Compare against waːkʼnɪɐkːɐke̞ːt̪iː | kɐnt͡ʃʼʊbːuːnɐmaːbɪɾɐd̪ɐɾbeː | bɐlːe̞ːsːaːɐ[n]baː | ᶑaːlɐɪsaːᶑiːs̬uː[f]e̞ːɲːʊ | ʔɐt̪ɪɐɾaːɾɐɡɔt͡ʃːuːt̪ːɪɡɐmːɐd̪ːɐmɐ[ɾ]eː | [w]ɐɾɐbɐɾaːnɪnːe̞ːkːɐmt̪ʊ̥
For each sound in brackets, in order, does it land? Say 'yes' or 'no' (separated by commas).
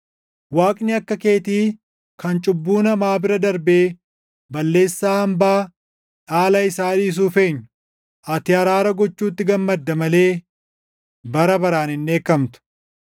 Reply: no, yes, no, no